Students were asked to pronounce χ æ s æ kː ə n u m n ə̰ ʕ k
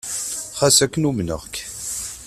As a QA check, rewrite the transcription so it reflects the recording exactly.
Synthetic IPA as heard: χ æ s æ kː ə n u m n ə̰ ʁ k